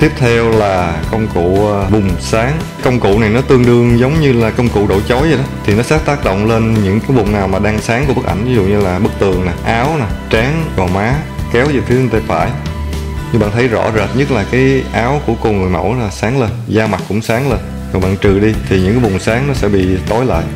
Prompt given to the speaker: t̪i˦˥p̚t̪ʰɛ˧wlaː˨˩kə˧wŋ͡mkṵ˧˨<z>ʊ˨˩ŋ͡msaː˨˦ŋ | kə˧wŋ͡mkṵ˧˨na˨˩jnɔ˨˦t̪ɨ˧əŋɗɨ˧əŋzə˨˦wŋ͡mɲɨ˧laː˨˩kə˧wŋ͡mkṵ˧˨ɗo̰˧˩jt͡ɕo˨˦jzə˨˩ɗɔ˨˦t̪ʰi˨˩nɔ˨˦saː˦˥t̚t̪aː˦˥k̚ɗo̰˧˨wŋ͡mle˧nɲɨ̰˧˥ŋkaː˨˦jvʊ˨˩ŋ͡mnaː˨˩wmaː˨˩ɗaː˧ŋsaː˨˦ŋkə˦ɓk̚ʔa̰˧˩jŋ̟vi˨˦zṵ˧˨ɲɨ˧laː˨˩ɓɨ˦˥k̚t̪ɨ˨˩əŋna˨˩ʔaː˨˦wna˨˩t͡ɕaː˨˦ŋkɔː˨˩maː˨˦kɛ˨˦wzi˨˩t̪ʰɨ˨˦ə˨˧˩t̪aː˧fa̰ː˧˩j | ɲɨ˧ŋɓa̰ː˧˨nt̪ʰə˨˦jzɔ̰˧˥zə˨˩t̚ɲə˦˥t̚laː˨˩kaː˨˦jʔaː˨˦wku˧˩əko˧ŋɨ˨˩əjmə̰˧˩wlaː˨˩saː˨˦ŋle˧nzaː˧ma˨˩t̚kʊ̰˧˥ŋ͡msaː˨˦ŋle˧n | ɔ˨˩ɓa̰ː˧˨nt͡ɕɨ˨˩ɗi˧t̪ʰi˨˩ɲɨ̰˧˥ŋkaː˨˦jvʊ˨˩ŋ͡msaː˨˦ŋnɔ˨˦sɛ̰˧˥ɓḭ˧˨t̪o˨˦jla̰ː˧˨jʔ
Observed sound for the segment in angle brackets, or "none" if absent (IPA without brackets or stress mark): v